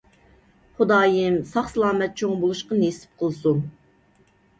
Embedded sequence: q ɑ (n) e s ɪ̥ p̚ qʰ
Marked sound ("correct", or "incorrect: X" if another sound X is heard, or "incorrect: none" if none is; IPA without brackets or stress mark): correct